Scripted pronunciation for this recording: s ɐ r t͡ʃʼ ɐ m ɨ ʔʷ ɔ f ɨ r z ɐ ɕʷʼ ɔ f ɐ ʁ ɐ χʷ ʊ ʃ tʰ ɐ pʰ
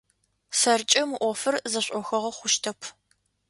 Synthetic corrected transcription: s ɐ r t͡ʃʼ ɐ m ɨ ʔʷ ɔ f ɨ r z ɐ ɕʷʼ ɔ x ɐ ʁ ɐ χʷ ʊ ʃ tʰ ɐ pʰ

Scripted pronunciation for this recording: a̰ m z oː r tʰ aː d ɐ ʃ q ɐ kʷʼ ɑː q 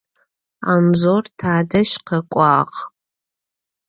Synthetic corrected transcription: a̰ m z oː r tʰ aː d ɐ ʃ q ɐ kʷʼ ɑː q

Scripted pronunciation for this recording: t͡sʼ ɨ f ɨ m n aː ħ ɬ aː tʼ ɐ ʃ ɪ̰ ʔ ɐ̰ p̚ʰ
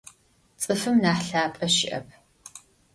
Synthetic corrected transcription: t͡sʼ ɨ f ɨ m n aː ħ ɬ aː pʼ ɐ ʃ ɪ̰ ʔ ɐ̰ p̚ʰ

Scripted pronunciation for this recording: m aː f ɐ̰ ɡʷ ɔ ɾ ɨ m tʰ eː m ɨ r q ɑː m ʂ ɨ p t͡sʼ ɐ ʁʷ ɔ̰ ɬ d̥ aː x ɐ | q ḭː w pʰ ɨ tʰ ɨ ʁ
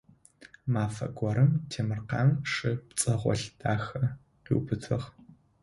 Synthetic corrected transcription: m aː f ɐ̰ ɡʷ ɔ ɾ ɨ m tʰ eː m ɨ r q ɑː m ʂ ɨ p t͡sʼ ɐ ʁʷ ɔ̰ ɬ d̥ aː x ɐ | q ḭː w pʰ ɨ tʰ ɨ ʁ

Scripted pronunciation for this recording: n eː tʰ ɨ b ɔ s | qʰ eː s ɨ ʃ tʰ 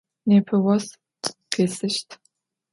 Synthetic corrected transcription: n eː pʰ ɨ w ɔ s | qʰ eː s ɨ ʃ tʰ

